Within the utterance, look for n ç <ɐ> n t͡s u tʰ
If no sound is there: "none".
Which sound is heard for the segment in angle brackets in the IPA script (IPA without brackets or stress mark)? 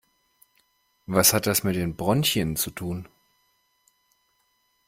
ə